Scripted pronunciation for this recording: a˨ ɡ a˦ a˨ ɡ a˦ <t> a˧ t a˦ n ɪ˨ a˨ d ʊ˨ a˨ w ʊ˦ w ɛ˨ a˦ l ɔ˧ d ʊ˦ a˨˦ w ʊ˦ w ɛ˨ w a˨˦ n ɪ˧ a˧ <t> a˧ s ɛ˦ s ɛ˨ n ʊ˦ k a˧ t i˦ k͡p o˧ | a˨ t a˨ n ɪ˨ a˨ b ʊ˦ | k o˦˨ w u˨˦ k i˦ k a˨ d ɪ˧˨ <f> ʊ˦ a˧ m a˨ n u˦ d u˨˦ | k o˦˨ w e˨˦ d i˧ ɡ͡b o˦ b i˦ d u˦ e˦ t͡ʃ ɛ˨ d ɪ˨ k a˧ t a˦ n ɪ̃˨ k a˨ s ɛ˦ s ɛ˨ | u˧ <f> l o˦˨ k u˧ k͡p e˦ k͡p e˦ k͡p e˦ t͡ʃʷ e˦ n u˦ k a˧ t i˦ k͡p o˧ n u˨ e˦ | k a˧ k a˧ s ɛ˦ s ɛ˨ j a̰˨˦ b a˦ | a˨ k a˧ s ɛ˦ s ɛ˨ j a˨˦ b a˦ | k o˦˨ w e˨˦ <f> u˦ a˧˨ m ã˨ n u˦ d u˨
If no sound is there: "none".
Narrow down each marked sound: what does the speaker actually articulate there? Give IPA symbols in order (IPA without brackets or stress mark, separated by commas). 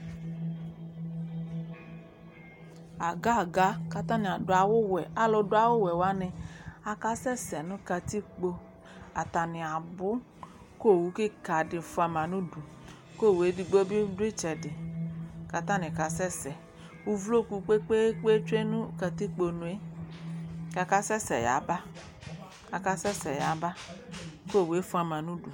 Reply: k, k, f, v, f